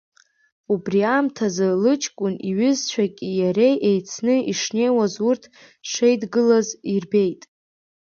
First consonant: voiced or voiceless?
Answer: voiced